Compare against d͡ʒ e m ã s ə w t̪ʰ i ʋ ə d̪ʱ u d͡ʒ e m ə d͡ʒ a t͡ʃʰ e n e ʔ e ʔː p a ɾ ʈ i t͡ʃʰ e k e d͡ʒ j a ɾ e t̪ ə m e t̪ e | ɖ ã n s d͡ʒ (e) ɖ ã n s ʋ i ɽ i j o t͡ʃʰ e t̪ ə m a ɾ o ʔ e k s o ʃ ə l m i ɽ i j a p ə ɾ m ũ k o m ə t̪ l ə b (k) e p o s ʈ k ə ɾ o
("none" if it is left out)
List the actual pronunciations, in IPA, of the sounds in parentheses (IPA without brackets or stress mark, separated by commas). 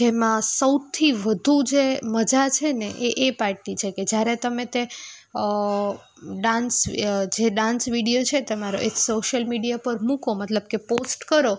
e, k